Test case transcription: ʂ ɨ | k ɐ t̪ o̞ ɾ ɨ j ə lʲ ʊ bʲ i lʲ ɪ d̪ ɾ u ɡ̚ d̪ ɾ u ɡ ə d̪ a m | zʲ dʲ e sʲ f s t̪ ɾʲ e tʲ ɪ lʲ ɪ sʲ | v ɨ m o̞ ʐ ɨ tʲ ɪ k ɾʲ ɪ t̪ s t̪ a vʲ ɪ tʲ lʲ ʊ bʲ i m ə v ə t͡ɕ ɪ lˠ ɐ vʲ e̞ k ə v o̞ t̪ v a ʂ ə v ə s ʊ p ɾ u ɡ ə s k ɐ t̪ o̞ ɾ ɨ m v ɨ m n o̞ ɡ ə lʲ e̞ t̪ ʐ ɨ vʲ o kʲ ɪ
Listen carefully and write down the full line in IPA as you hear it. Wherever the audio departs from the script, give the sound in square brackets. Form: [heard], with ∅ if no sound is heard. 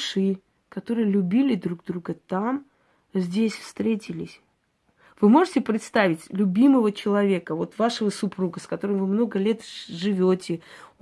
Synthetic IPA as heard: ʂ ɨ | k ɐ t̪ o̞ ɾ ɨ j ə lʲ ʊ bʲ i lʲ ɪ d̪ ɾ u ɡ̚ d̪ ɾ u ɡ ə [t̪] a m | zʲ dʲ e sʲ f s t̪ ɾʲ e tʲ ɪ lʲ ɪ sʲ | v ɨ m o̞ ʐ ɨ tʲ ɪ [p] ɾʲ ɪ t̪ s t̪ a vʲ ɪ tʲ lʲ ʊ bʲ i m ə v ə t͡ɕ ɪ lˠ ɐ vʲ e̞ k ə v o̞ t̪ v a ʂ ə v ə s ʊ p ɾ u ɡ ə s k ɐ t̪ o̞ ɾ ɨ m v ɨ m n o̞ ɡ ə lʲ e̞ t̪ ʐ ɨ vʲ o [tʲ] ɪ